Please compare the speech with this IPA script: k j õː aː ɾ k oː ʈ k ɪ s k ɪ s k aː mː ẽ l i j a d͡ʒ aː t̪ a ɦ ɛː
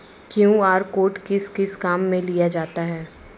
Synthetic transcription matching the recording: k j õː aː ɾ k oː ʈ k ɪ s k ɪ s k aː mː ẽ l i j a d͡ʒ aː t̪ a ɦ ɛː